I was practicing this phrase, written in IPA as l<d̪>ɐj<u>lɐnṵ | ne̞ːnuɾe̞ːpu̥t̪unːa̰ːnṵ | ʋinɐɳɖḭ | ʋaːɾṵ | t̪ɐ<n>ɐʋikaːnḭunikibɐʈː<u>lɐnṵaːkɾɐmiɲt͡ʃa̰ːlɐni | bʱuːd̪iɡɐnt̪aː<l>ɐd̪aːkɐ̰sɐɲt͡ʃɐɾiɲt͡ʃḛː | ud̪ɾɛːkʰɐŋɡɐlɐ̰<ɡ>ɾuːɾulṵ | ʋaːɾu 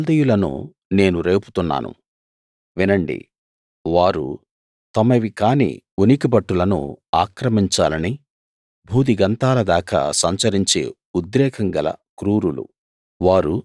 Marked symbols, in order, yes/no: yes, yes, no, yes, yes, no

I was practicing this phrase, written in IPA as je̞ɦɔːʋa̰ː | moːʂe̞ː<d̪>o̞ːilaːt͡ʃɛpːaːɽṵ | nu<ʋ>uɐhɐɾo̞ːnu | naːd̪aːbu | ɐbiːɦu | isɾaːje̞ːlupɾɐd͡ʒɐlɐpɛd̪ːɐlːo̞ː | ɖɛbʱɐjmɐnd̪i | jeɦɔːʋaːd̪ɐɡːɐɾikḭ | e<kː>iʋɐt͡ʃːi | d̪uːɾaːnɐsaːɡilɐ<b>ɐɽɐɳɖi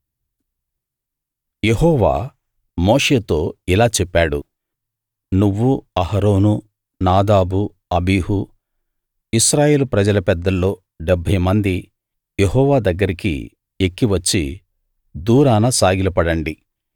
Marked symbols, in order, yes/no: no, no, yes, no

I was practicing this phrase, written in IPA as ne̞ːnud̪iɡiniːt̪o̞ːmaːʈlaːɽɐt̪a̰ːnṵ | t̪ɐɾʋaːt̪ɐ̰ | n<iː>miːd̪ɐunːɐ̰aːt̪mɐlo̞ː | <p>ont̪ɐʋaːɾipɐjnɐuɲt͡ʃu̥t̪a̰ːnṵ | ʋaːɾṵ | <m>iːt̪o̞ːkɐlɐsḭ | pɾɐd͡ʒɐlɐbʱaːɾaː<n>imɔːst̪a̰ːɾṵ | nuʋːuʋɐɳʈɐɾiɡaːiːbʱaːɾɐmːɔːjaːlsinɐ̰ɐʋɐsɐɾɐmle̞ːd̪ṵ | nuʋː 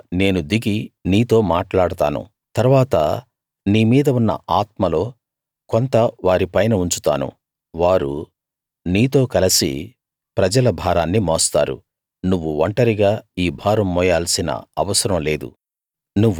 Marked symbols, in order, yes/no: yes, no, no, no

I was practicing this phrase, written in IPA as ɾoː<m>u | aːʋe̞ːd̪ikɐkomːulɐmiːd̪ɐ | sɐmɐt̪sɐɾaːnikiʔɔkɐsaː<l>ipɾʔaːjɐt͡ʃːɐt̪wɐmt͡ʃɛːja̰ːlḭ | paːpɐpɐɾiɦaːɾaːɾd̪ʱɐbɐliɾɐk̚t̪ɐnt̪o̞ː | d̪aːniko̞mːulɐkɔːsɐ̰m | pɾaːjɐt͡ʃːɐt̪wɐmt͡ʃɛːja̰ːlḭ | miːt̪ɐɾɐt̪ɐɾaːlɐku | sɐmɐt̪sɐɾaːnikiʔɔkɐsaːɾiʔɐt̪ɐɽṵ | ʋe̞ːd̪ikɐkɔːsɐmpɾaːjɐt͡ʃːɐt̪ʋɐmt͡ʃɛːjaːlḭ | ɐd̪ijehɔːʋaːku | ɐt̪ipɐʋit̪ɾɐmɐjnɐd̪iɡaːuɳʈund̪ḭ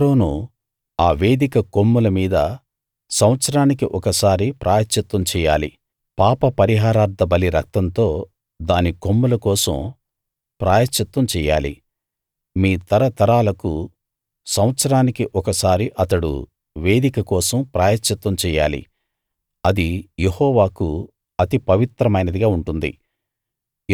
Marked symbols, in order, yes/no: no, no

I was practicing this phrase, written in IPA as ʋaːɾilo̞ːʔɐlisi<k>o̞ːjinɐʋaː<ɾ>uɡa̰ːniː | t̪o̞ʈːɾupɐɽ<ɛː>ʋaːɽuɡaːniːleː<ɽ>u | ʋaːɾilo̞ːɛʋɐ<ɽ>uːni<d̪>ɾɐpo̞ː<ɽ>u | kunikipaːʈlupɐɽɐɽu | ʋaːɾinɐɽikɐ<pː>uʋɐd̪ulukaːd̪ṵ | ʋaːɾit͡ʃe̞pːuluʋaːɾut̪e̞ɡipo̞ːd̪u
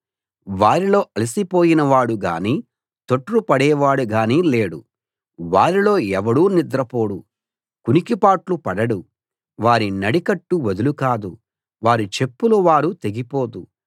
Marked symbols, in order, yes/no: no, no, yes, yes, yes, yes, yes, no

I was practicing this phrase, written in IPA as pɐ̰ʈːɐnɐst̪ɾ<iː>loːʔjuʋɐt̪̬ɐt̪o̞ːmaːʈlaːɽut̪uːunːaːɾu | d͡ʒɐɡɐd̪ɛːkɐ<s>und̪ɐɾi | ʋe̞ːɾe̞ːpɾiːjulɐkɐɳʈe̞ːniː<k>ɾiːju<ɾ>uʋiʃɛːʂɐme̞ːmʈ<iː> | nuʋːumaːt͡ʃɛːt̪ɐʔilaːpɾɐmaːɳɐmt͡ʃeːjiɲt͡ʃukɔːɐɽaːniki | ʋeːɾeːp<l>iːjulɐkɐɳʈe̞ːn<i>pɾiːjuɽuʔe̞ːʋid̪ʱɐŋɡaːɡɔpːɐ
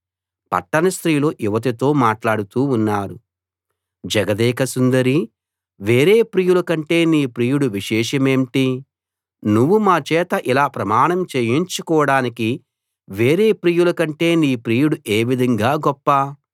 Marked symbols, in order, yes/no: yes, yes, no, no, no, no, no

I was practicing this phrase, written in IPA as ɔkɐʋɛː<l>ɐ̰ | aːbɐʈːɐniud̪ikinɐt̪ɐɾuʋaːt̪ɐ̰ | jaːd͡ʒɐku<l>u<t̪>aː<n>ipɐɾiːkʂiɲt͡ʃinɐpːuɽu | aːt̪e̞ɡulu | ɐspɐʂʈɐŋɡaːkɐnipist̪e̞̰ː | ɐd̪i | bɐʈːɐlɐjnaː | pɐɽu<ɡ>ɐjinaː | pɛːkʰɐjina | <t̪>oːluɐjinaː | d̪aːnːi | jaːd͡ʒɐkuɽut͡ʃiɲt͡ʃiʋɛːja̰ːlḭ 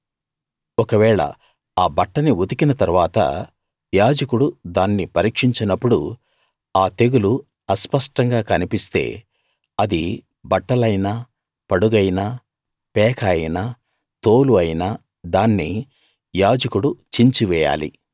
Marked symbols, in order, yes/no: no, no, no, no, yes, yes

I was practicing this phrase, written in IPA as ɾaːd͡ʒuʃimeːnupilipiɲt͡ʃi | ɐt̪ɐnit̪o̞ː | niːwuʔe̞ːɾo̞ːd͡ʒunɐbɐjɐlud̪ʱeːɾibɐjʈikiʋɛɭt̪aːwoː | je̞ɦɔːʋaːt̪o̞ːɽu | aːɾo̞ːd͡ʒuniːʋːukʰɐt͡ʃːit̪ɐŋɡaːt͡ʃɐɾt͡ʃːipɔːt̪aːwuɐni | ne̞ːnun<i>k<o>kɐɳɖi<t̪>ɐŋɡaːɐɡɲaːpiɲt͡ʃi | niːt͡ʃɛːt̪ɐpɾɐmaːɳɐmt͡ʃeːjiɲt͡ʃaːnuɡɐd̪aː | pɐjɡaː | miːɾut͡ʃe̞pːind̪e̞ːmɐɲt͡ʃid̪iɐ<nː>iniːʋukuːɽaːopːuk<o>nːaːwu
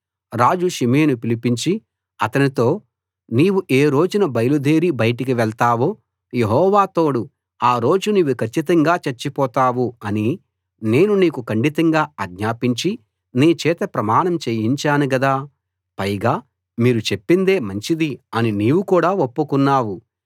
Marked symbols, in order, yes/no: no, no, yes, no, no

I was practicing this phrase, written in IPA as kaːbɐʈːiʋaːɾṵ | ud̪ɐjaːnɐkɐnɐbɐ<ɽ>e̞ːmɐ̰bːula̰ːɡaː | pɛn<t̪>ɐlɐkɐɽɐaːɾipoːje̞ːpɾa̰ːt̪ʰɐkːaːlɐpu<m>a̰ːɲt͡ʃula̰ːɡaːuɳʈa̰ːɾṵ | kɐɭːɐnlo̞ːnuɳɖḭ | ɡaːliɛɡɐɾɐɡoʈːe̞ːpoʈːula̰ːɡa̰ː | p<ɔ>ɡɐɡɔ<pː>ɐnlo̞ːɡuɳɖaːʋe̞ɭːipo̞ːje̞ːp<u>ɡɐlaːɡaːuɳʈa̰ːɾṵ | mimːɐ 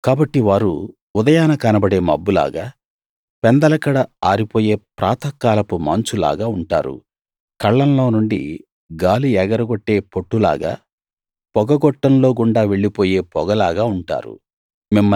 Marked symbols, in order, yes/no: yes, no, yes, yes, no, no

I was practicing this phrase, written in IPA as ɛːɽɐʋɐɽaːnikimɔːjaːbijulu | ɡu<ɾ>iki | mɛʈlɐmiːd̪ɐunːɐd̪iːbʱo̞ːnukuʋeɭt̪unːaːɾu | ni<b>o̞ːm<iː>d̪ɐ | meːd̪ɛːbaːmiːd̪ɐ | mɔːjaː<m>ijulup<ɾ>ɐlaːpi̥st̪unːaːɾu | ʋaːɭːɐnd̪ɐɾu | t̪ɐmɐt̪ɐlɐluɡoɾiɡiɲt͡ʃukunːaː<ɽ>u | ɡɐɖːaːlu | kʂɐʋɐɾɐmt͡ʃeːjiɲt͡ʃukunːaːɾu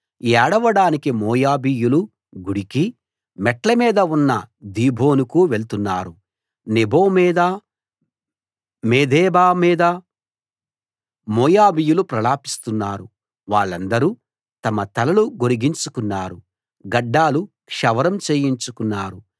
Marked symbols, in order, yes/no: no, yes, yes, no, yes, no

